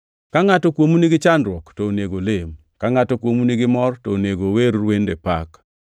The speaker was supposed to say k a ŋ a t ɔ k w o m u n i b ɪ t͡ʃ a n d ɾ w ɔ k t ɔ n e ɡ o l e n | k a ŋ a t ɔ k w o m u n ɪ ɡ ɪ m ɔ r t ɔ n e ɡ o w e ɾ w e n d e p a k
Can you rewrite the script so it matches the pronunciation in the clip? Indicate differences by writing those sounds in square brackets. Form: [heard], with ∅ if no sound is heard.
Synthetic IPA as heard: k a ŋ a t ɔ k w o m u n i [ɡ] ɪ t͡ʃ a n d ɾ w ɔ k t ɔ n e ɡ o l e [m] | k a ŋ a t ɔ k w o m u n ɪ ɡ ɪ m ɔ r t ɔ n e ɡ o w e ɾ w e n d e p a k